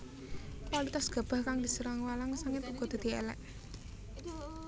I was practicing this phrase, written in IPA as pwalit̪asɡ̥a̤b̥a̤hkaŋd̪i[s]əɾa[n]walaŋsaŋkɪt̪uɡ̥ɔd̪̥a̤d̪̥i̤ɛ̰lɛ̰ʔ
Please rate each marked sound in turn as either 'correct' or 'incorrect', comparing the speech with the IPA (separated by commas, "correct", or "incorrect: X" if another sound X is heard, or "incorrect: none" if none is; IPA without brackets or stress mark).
correct, incorrect: ŋ